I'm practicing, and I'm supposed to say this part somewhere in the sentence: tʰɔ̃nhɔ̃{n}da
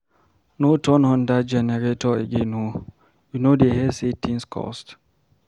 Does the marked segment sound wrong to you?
no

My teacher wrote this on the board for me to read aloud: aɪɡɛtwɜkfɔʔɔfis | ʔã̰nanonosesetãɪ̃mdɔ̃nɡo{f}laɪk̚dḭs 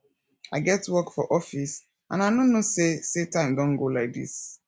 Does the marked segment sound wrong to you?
yes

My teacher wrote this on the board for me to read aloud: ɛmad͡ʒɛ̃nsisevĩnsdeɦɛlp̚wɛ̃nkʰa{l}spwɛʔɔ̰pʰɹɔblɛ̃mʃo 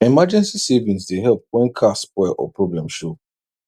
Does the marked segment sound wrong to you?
yes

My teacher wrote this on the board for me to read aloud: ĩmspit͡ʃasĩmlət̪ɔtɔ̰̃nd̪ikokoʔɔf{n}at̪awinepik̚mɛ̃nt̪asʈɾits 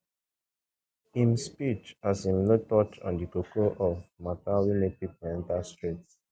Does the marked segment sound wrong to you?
yes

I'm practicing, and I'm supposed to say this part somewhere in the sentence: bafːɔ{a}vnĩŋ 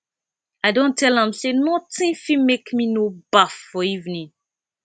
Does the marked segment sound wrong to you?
yes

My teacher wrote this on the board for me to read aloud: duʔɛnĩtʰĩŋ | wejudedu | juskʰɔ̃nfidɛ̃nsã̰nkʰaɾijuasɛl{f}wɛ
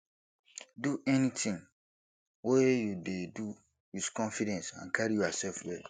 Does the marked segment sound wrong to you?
no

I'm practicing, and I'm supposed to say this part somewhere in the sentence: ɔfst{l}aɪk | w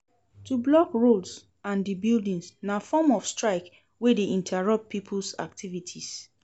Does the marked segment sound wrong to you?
yes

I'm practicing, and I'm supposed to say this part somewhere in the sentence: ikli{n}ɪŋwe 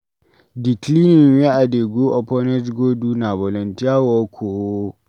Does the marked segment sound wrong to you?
no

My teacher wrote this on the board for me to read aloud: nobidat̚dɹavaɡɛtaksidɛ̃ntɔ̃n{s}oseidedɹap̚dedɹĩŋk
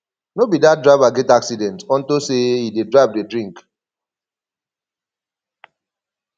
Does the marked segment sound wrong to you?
yes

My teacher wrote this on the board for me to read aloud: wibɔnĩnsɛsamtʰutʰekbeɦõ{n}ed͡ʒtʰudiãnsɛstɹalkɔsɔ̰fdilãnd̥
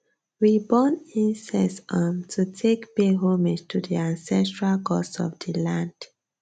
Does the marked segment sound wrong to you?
yes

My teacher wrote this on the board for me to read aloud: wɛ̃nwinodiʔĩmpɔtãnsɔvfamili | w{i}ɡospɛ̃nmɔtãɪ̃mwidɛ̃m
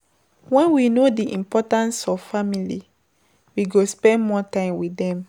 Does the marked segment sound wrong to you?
no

